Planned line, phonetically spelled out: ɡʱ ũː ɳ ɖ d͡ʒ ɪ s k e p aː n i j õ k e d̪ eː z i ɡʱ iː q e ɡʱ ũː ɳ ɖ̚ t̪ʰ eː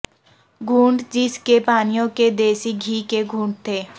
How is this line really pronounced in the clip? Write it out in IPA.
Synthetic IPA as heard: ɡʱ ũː ɳ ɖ d͡ʒ ɪ s k e p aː n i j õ k e d̪ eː s i ɡʱ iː k e ɡʱ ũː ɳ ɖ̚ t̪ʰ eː